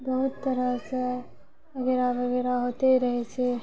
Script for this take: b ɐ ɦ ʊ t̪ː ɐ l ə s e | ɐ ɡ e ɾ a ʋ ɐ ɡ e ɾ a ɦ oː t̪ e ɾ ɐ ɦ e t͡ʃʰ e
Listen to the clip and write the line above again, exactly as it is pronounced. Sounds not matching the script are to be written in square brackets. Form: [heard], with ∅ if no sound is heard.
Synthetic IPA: b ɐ ɦ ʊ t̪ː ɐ [ɾ] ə s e | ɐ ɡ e ɾ a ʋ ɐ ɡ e ɾ a ɦ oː t̪ e ɾ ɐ ɦ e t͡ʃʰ e